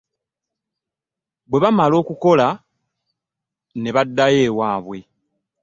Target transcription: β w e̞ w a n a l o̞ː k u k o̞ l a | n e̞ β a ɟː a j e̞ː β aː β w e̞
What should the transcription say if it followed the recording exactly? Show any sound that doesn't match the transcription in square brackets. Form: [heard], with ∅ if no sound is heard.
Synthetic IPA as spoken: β w e̞ [β] a [m] a l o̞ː k u k o̞ l a | n e̞ β a [dː] a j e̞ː [w] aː β w e̞